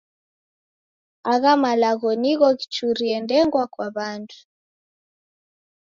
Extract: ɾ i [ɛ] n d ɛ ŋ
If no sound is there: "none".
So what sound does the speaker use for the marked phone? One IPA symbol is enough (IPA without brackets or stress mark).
ɛ